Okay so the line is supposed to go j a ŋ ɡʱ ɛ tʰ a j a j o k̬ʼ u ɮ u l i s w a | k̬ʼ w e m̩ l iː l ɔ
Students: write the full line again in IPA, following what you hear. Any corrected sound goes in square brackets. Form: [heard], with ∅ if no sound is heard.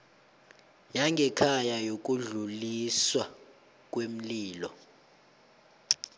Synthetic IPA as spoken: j a ŋ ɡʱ ɛ [kʰ] a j a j o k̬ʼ u ɮ u l i s w a | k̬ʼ w e m̩ l iː l ɔ

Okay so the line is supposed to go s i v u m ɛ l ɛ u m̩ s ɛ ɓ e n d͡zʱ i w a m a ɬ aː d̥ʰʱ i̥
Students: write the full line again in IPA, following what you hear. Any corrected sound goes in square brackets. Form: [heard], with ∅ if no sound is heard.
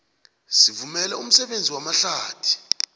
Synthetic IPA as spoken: s i v u m ɛ l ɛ u m̩ s ɛ ɓ e n d͡zʱ i w a m a ɬ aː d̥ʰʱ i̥

